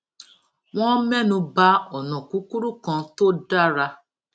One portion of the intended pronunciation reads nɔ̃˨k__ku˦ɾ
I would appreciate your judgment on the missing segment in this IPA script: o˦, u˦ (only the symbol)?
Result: u˦